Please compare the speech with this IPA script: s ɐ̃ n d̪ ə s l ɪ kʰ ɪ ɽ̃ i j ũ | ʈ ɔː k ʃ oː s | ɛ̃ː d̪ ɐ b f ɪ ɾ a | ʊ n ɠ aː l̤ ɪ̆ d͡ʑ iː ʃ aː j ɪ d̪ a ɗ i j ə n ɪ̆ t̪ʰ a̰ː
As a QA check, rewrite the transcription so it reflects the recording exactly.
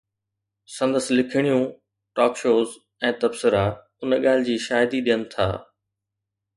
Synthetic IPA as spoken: s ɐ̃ n d̪ ə s l ɪ kʰ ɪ ɽ̃ i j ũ | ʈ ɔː k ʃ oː z | ɛ̃ː t̪ ɐ b s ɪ ɾ a | ʊ n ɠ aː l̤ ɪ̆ d͡ʑ iː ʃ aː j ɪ d̪ i ɗ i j ə n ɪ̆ t̪ʰ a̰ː